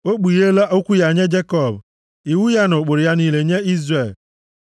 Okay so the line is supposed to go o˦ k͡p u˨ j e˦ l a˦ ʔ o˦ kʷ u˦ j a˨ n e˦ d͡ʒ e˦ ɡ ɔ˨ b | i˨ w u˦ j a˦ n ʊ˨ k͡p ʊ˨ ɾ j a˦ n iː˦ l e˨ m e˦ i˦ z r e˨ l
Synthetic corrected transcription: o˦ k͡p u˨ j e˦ l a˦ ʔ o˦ kʷ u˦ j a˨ ɲ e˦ d͡ʒ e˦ k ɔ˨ b | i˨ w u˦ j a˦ n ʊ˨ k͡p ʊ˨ ɾ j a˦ n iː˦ l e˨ ɲ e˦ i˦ z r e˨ l